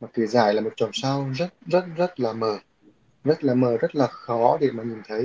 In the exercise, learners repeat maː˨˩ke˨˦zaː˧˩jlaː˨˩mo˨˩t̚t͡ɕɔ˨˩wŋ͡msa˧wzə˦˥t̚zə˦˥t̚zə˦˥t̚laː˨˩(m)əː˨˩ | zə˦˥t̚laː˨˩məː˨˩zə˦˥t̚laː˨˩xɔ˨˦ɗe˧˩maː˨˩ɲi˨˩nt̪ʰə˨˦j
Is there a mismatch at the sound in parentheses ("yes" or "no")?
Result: no